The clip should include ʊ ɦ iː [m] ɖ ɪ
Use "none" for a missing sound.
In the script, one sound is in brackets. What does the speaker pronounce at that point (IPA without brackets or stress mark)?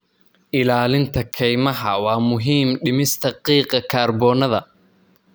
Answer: m